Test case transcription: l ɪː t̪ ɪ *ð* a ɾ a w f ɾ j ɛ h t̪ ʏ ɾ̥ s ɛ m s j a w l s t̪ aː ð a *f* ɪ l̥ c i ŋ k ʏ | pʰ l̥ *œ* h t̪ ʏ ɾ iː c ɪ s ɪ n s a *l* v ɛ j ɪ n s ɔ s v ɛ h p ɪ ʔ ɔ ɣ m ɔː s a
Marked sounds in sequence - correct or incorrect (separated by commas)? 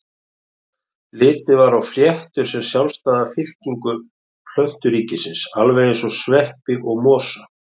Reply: incorrect, correct, correct, correct